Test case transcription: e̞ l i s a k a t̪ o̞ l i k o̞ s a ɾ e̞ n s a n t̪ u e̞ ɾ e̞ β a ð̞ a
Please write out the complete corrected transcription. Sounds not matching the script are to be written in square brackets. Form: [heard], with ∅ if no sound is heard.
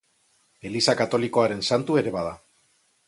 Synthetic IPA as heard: e̞ l i s a k a t̪ o̞ l i k o̞ [∅] a ɾ e̞ n s a n t̪ u e̞ ɾ e̞ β a ð̞ a